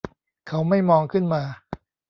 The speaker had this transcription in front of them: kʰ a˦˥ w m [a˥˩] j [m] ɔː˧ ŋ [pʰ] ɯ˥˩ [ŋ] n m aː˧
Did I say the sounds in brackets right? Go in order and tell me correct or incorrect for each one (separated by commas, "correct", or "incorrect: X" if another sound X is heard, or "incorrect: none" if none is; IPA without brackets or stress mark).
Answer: correct, correct, incorrect: kʰ, incorrect: none